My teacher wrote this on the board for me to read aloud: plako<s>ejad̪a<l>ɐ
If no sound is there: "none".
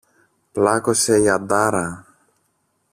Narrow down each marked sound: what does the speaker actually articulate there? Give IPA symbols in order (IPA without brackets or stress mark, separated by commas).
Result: s, ɾ